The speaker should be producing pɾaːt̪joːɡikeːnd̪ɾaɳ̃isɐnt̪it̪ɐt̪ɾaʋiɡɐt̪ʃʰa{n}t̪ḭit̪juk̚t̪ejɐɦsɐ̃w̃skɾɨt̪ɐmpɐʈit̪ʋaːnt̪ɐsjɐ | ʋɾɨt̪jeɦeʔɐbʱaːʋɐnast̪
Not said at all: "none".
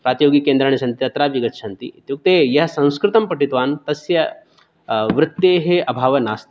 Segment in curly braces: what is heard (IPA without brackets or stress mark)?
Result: n